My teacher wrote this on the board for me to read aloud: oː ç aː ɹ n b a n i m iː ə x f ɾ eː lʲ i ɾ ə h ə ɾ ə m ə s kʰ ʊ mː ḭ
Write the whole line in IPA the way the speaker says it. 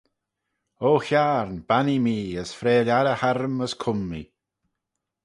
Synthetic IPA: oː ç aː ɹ n b a n i m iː ə s f ɾ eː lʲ a ɾ ə h a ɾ ə m ə s kʰ ʊ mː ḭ

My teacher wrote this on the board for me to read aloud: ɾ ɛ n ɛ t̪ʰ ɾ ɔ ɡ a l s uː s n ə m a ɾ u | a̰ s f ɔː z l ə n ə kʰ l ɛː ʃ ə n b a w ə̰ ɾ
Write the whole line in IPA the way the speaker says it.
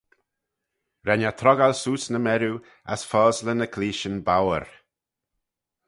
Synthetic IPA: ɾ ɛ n a t̪ʰ ɾ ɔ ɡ a l s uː s n ə m ɛ ɾ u | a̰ s f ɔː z l ə n ə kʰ l iː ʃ ə n b a w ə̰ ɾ

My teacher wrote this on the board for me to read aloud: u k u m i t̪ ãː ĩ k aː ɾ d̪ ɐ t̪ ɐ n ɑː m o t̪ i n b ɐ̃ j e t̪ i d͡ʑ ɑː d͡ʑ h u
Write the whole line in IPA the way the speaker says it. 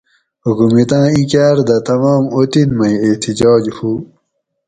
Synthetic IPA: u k u m i t̪ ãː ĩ k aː ɾ d̪ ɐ t̪ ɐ m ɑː m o t̪ i n m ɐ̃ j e t̪ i d͡ʑ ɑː d͡ʑ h u

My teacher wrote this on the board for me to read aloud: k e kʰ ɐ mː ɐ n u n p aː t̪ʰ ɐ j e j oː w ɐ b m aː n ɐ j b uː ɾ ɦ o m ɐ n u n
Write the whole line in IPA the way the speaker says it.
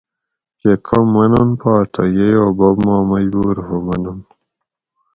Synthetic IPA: k e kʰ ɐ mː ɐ n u n p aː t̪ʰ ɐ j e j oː b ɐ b m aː m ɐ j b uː ɾ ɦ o m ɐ n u n

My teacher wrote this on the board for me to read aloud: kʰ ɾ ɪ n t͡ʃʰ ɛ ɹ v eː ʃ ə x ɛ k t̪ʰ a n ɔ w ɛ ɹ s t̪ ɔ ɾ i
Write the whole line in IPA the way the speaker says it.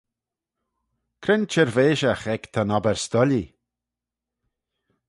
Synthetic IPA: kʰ ɾ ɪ n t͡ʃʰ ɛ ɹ v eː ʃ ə x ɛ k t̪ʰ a n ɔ b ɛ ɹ s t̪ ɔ l i

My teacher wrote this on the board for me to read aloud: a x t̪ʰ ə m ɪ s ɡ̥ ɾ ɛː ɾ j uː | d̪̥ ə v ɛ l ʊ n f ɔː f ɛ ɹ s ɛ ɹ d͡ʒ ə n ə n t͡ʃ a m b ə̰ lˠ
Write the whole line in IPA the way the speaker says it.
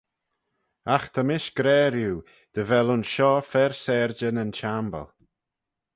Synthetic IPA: a x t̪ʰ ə m ɪ ʃ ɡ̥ ɾ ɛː ɾ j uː | d̪̥ ə v ɛ l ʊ n ʃ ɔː f ɛ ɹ s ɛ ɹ d͡ʒ ə n ə n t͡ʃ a m b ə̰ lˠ

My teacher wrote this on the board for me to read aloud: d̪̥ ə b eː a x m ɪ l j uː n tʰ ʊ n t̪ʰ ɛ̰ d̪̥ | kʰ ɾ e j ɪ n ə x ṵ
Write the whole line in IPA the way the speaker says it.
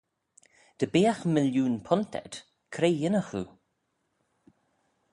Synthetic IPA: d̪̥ ə b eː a x m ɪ l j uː n pʰ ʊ n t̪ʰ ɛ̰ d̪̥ | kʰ ɾ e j ɪ n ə x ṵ

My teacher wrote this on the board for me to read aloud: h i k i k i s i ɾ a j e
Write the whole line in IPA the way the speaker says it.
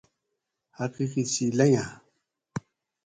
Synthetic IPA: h a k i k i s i l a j a

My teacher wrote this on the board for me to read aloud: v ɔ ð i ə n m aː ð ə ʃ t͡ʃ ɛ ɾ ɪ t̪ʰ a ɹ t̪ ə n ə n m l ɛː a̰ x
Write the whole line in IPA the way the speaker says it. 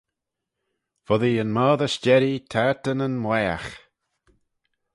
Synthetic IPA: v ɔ ð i ə n m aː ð ə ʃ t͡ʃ ɛ ɾ i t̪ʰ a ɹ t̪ ə n ə n m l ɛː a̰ x

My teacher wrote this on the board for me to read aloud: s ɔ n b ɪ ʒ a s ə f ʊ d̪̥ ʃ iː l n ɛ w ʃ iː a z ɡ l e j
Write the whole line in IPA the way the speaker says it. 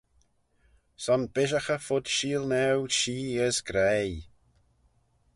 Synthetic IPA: s ɔ n b ɪ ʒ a x ə f ʊ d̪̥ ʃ iː l n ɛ w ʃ iː ə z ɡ ɾ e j

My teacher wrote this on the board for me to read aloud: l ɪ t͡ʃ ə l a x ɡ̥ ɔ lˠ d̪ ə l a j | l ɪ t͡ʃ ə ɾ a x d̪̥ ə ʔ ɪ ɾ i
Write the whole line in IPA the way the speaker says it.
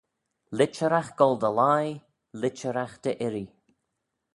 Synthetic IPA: l ɪ t͡ʃ ə ɾ a x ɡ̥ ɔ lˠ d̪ ə l a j | l ɪ t͡ʃ ə ɾ a x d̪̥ ə ʔ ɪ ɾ i

